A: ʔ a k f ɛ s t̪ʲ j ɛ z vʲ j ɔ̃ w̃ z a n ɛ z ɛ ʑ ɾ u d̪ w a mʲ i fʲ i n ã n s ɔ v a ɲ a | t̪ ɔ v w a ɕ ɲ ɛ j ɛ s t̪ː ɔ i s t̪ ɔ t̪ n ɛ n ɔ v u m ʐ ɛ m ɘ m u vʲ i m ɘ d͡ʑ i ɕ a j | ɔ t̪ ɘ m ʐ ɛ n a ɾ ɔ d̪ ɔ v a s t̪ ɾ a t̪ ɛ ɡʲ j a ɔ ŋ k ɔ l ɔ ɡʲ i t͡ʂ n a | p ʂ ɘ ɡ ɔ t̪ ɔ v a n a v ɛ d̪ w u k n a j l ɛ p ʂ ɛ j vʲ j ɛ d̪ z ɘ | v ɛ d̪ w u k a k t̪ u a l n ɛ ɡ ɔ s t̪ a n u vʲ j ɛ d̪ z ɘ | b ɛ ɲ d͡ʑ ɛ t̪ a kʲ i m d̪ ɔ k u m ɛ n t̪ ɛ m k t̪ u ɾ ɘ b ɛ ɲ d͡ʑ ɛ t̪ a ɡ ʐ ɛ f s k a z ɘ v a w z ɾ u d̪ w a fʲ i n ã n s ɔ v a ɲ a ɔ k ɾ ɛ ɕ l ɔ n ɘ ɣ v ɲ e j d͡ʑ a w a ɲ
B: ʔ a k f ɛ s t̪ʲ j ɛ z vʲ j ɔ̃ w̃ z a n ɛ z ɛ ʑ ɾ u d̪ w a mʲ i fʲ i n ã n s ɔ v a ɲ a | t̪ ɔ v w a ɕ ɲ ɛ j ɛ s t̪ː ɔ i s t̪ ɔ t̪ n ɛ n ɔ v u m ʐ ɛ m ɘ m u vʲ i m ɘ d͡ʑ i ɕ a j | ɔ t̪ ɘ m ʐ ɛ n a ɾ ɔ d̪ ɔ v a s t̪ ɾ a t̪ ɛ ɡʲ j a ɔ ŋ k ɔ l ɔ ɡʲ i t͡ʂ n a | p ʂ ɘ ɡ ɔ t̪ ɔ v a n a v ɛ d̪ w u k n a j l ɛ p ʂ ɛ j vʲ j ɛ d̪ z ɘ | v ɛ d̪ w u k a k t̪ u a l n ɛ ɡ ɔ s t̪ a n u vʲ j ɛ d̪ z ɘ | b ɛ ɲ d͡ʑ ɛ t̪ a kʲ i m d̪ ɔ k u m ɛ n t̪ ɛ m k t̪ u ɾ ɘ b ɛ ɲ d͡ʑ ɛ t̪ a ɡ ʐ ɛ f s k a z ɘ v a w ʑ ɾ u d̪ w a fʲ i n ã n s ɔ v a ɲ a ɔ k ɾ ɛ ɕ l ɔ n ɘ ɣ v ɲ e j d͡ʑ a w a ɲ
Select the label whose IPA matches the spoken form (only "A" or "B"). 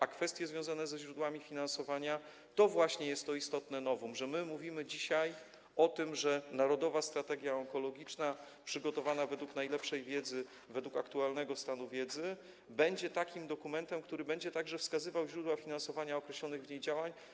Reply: B